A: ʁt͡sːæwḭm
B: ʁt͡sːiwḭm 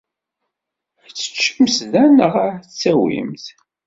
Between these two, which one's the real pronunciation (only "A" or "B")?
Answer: A